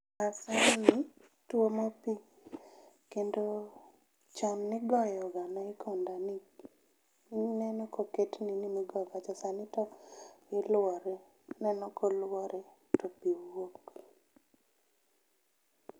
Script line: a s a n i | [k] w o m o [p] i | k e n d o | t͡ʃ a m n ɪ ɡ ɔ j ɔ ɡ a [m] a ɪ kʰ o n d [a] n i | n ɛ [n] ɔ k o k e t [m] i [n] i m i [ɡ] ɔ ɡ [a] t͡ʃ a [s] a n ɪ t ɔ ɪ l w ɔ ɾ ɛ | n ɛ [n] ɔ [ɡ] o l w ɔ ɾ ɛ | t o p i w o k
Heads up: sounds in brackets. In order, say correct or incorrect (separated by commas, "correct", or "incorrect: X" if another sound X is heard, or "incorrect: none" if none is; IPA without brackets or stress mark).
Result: incorrect: t, correct, incorrect: n, correct, correct, incorrect: n, correct, correct, correct, correct, correct, incorrect: k